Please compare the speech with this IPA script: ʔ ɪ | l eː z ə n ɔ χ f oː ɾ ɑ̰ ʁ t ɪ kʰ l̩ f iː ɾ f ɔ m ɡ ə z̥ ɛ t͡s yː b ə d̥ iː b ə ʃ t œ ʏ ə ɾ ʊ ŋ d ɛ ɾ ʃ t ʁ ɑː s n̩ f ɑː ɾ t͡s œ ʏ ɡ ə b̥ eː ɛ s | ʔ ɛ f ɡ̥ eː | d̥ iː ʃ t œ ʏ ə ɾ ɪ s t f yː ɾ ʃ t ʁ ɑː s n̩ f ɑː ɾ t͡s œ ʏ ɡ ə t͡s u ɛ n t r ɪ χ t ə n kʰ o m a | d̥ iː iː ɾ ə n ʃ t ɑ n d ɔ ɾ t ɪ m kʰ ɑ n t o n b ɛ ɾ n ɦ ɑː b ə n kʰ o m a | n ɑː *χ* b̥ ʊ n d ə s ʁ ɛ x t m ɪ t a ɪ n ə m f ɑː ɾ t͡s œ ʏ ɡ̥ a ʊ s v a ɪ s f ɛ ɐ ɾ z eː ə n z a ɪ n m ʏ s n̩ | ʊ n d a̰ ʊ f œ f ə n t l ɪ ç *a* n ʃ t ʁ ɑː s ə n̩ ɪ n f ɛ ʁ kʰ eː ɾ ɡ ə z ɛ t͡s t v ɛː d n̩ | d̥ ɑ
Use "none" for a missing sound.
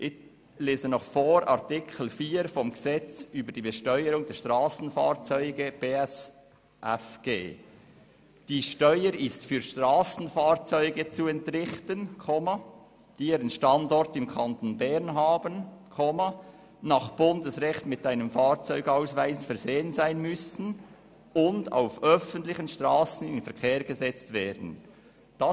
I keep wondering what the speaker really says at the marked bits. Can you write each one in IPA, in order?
χ, ə

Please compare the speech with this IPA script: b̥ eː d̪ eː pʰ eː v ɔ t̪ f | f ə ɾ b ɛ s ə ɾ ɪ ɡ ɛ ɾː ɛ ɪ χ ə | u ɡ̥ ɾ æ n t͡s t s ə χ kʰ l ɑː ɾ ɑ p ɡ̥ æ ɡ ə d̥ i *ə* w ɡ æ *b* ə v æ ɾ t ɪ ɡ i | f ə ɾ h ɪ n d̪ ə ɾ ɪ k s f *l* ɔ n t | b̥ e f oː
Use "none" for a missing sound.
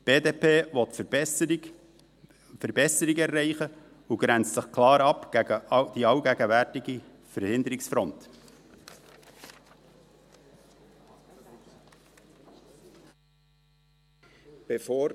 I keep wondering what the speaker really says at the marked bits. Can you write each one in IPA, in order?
ɑ, ɡ, ɾ

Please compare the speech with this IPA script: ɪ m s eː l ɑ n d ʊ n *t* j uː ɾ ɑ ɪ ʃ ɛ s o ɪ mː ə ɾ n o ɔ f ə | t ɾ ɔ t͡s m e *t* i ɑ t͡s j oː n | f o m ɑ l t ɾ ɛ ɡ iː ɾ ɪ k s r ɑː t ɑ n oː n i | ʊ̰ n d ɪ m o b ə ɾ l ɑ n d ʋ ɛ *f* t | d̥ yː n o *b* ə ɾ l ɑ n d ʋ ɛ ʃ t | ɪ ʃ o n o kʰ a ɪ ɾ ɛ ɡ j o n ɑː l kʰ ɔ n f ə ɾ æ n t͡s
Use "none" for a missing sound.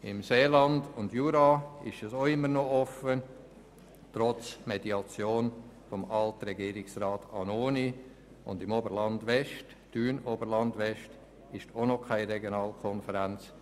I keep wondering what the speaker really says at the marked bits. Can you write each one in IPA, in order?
d, d, ʃ, b

